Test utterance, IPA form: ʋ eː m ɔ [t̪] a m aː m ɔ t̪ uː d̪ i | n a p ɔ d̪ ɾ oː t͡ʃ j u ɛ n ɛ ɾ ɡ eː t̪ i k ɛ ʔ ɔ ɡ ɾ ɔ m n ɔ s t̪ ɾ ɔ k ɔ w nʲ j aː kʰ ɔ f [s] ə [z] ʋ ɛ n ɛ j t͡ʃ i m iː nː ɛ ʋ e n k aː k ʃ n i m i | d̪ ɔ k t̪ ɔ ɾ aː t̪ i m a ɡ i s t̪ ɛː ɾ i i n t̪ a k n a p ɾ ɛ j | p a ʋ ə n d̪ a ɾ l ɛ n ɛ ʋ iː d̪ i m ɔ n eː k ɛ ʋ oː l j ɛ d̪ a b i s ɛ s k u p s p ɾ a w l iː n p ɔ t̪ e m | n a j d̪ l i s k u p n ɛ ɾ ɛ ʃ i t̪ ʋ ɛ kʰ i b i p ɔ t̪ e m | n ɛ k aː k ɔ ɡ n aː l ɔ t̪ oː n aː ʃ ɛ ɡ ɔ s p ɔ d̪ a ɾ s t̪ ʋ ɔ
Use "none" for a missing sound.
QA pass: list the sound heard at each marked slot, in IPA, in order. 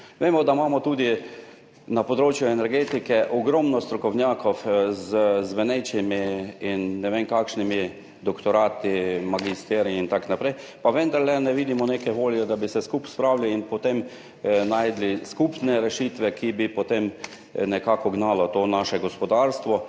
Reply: d̪, z, z

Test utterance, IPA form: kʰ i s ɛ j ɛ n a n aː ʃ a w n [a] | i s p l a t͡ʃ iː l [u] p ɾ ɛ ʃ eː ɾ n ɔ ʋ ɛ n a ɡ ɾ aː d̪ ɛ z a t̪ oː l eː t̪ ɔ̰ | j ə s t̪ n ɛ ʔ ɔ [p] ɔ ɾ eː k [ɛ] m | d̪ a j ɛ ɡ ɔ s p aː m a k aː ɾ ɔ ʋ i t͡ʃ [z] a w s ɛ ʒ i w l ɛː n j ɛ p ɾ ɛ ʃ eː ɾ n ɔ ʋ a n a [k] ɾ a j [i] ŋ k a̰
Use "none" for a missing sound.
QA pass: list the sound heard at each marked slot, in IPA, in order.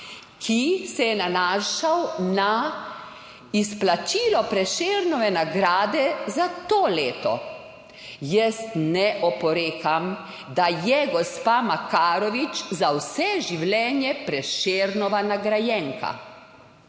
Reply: a, ɔ, p, a, z, ɡ, ɛ

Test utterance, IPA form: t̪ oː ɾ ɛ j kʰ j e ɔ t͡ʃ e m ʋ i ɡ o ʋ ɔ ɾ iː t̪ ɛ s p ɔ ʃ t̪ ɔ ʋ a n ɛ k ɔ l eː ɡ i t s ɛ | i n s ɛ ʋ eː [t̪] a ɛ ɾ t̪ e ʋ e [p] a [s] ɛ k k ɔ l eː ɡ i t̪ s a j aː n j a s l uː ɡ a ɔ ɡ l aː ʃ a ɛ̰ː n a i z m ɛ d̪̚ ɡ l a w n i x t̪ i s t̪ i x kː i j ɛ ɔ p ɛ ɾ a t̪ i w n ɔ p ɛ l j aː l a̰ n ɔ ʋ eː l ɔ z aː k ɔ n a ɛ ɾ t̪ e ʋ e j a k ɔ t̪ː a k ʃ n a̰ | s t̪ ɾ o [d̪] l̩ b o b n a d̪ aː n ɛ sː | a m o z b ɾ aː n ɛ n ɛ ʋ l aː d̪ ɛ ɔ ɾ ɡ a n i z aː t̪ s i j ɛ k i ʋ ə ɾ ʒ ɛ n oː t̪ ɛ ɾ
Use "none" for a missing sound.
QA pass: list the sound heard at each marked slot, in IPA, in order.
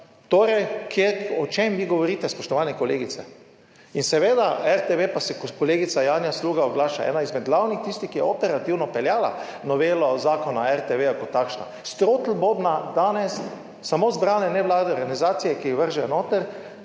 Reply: d̪, p, s, t̪

